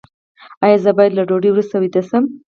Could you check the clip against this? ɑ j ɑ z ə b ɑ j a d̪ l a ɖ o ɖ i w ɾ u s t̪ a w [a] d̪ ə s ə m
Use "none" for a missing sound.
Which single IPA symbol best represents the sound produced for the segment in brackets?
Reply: i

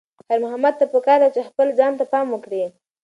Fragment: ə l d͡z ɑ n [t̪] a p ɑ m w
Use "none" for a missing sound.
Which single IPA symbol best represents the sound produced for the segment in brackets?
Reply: t̪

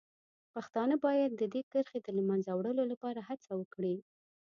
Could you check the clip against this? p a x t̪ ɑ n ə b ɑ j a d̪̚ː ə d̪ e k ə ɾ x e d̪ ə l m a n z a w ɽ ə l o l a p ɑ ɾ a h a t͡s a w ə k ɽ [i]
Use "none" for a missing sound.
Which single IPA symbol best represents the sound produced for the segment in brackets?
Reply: i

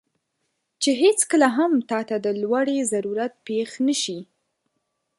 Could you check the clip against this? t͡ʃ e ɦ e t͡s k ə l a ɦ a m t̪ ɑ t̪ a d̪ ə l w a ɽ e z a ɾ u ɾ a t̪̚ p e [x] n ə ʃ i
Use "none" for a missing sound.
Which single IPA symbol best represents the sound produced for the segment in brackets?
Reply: x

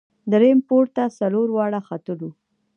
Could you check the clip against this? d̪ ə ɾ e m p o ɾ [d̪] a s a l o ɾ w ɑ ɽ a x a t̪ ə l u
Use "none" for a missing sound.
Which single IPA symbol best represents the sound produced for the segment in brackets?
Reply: t̪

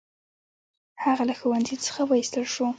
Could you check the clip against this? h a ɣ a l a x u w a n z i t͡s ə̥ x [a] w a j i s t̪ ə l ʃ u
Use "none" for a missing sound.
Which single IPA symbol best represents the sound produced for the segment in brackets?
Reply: a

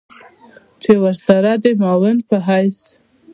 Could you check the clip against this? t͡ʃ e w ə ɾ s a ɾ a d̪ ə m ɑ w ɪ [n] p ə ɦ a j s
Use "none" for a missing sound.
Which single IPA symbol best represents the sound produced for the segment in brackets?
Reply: n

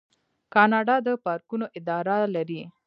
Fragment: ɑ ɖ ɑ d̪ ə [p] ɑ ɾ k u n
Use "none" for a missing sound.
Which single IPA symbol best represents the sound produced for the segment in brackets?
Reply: p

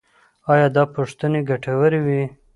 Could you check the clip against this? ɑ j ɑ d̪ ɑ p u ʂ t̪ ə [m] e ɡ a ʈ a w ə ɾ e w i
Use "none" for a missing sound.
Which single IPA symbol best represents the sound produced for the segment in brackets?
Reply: n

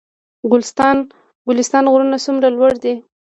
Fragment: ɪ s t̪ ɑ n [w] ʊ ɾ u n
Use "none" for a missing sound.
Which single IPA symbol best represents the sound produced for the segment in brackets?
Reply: ɣ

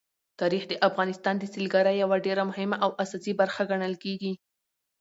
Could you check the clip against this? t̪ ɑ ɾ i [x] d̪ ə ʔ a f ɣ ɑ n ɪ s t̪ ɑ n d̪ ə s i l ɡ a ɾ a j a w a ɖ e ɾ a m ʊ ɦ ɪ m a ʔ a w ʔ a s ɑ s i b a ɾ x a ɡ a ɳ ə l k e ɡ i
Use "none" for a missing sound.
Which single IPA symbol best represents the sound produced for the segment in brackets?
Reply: x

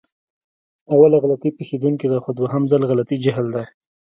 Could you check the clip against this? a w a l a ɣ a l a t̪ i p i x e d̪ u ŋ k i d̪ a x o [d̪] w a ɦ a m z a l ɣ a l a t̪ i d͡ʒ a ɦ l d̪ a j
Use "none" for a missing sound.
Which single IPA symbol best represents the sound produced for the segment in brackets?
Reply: d̪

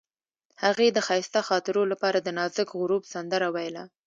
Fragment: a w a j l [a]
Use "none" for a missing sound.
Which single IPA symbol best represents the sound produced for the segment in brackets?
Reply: a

